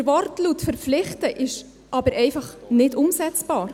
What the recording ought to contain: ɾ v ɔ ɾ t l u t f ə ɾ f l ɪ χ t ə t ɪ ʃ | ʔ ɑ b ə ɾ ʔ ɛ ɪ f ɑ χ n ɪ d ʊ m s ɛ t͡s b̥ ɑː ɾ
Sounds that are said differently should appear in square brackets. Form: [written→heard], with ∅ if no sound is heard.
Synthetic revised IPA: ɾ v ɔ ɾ t l u t f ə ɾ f l ɪ χ t ə [t→ʔ] ɪ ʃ | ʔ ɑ b ə ɾ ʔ ɛ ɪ f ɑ χ n ɪ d ʊ m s ɛ t͡s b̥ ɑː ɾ